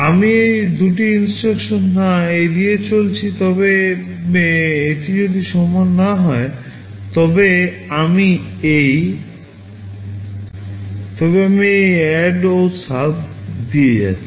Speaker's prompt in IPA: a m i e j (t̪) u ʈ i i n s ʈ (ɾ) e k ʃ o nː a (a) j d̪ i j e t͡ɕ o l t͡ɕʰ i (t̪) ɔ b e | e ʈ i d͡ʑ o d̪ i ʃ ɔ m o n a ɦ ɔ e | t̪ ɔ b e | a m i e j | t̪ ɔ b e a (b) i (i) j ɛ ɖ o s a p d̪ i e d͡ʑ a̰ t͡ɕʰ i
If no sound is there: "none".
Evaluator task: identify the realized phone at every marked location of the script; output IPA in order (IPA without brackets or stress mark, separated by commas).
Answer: d̪, ɾ, e, t̪, m, e